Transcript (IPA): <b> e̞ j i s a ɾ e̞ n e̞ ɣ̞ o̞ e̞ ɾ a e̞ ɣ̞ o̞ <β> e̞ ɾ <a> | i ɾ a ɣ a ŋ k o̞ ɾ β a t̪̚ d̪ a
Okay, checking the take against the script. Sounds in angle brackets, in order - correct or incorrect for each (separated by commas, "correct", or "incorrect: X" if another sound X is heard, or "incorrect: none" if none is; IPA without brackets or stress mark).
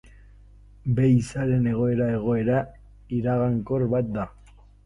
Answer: correct, incorrect: none, correct